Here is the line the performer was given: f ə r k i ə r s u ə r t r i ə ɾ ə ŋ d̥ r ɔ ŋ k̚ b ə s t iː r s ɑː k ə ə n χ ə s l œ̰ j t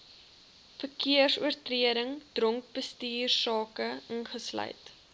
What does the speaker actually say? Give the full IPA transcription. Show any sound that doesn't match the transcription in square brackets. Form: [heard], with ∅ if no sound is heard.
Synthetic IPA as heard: f ə r k i ə r s u ə r t r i ə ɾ ə ŋ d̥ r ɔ ŋ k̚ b ə s t iː r s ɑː k ə ə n χ ə s l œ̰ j t